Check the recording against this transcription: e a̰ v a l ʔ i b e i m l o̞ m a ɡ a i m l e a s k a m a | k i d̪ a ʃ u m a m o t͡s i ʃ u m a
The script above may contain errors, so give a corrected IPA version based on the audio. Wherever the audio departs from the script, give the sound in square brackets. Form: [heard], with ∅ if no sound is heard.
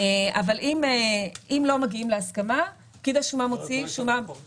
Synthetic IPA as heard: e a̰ v a l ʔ i [m] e i m l o̞ m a ɡ [i] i m l e a s k a m a | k i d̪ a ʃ u m a m o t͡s i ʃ u m a